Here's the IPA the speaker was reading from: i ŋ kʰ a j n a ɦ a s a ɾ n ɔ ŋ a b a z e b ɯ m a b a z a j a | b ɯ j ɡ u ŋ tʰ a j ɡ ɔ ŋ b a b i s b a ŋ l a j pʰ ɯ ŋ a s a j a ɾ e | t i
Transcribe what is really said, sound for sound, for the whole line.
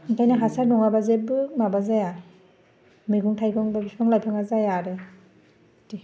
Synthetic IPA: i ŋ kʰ a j n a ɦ a s a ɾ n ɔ ŋ a b a z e b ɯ m a b a z a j a | m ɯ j ɡ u ŋ tʰ a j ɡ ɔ ŋ b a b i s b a ŋ l a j pʰ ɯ ŋ a z a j a ɾ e | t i